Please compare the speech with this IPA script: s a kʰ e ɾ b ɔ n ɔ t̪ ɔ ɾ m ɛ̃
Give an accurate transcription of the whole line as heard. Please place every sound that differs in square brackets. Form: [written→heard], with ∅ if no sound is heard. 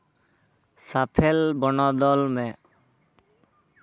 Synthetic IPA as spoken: s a [kʰ→pʰ] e [ɾ→l] b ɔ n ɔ [t̪→d̪] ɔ [ɾ→l] m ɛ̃